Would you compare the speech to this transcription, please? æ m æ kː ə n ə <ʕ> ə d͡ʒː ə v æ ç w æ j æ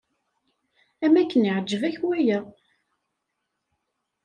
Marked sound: correct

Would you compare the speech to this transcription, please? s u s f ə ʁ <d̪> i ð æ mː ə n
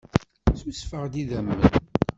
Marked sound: correct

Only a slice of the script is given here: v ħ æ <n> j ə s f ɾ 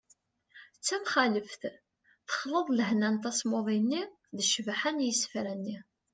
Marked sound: correct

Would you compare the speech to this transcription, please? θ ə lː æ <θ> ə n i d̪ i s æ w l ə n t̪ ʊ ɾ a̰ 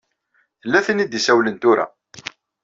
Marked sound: correct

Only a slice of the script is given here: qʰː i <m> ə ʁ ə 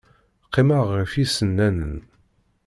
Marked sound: correct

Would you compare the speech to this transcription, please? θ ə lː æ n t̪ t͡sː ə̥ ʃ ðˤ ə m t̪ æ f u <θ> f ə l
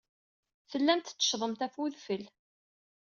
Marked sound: incorrect: ð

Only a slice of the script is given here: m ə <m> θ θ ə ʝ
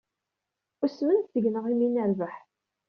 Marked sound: incorrect: n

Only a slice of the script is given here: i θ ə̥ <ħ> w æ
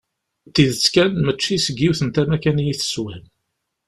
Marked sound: incorrect: s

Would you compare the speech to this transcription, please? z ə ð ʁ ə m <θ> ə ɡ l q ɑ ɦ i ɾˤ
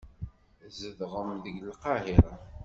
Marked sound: incorrect: ð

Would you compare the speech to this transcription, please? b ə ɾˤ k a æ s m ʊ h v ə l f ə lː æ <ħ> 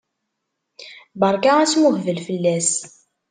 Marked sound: incorrect: s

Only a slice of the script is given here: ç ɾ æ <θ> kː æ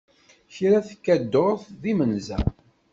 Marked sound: correct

